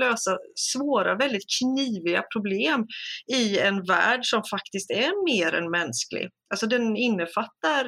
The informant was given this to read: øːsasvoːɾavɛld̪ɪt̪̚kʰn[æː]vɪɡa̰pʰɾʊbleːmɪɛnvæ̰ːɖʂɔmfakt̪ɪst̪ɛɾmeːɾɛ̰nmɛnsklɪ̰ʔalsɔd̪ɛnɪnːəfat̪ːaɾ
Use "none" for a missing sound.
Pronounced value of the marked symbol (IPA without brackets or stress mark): iː